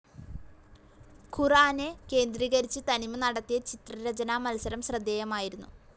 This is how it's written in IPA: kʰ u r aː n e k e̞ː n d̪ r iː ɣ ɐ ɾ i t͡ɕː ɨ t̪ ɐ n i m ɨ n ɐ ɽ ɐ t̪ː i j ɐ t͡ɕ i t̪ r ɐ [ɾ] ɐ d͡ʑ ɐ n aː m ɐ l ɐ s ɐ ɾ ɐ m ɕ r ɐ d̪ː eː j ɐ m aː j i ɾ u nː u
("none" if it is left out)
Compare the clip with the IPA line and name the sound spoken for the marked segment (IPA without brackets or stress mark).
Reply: ɾ